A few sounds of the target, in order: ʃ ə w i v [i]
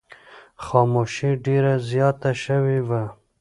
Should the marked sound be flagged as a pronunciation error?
yes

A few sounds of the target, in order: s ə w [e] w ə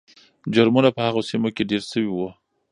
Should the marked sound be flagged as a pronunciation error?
yes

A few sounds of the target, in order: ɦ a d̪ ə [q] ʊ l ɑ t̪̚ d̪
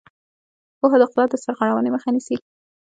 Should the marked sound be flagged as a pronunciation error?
no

